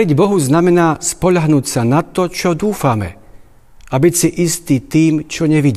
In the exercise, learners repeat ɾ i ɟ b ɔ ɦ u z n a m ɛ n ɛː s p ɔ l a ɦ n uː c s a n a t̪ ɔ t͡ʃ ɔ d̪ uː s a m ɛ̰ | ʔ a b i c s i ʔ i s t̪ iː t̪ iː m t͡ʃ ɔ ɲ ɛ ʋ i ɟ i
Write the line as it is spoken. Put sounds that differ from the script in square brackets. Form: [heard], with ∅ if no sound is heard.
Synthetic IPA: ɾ i ɟ b ɔ ɦ u z n a m ɛ n [aː] s p ɔ [ʎ] a ɦ n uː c s a n a t̪ ɔ t͡ʃ ɔ d̪ uː [f] a m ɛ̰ | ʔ a b i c s i ʔ i s t̪ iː t̪ iː m t͡ʃ ɔ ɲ ɛ ʋ i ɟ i